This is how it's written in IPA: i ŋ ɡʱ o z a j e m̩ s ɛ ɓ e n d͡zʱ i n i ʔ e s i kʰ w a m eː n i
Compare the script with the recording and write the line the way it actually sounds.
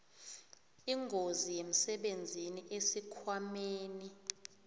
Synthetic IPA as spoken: i ŋ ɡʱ o z i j e m̩ s ɛ ɓ e n d͡zʱ i n i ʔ e s i kʰ w a m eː n i